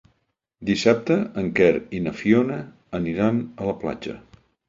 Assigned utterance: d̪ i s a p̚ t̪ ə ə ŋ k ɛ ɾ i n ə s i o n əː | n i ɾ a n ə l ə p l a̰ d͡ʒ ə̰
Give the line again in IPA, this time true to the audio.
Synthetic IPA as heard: d̪ i s a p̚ t̪ ə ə ŋ k ɛ ɾ i n ə f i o n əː | n i ɾ a n ə l ə p l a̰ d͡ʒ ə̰

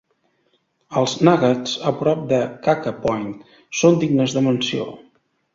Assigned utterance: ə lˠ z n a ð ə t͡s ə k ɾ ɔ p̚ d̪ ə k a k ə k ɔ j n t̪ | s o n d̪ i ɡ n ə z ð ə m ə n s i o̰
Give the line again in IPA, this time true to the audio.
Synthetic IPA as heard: ə lˠ z n a ɣ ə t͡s ə p ɾ ɔ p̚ d̪ ə k a k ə p ɔ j n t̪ | s o n d̪ i ɡ n ə z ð ə m ə n s i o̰

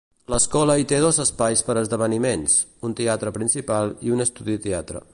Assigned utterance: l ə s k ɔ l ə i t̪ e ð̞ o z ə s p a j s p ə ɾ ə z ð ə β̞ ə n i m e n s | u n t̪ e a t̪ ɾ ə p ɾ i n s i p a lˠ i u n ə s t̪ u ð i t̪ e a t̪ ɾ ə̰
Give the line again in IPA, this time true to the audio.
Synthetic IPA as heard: l ə s k ɔ l ə i t̪ e ð̞ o z ə s p a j s p ə ɾ ə z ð ə β̞ ə n i m e n s | u n t̪ e a t̪ ɾ ə p ɾ i n s i p a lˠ i u n ə s t̪ u ð i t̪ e a t̪ ɾ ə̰

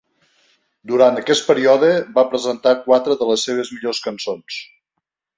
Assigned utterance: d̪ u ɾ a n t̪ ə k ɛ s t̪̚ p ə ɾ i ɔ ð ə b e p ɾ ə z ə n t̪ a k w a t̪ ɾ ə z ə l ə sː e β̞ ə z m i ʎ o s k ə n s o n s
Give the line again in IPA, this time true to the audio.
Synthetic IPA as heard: d̪ u ɾ a n t̪ ə k ɛ s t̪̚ p ə ɾ i ɔ ð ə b a p ɾ ə z ə n t̪ a k w a t̪ ɾ ə ð ə l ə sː e β̞ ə z m i ʎ o s k ə n s o n s

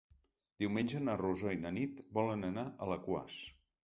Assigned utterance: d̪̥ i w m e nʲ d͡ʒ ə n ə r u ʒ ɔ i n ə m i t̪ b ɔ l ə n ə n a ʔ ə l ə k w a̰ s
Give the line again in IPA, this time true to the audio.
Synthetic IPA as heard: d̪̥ i w m e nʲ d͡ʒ ə n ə r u z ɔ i n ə n i t̪ b ɔ l ə n ə n a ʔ ə l ə k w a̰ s

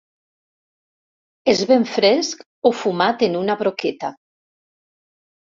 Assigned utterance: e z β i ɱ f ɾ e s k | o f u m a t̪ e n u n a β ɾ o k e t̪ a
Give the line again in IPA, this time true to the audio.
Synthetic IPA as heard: e z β e ɱ f ɾ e s k | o f u m a t̪ e n u n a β ɾ o k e t̪ a

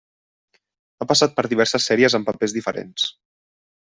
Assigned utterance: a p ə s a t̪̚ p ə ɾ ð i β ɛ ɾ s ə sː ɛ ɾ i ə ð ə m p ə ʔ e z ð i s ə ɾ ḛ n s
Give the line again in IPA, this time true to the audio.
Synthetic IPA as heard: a p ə s a t̪̚ p ə ɾ ð i β ɛ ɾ s ə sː ɛ ɾ i ə z ə m p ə p e z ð i f ə ɾ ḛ n s

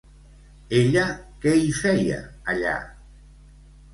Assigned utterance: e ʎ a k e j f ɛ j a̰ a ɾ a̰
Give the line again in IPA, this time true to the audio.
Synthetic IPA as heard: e ʎ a k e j f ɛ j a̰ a ʎ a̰

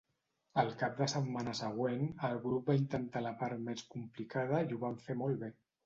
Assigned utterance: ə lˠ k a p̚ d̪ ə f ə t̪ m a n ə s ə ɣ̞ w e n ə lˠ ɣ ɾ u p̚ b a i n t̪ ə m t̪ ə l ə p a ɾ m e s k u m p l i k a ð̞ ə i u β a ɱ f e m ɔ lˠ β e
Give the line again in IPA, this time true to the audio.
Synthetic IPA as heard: ə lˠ k a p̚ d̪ ə s ə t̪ m a n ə s ə ɣ̞ w e n ə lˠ ɣ ɾ u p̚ b a i n t̪ ə n t̪ a l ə p a ɾ m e s k u m p l i k a ð̞ ə i u β a ɱ f e m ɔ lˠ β e

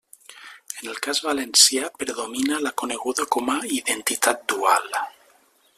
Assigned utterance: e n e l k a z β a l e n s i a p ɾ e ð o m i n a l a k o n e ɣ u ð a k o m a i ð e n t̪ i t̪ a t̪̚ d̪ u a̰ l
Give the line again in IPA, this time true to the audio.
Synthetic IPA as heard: e n e l k a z β a l e n s j a p ɾ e ð o m i n a l a k o n e ɣ u ð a k o m a i ð e n t̪ i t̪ a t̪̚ d̪ u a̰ l

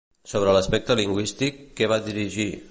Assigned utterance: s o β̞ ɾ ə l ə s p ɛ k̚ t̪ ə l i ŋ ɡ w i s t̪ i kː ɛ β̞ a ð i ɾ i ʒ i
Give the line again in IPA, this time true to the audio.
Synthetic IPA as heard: s o β̞ ɾ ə l ə s p ɛ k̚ t̪ ə l i ŋ ɡ w i s t̪ i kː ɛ β̞ a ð i ɾ i ʒ i

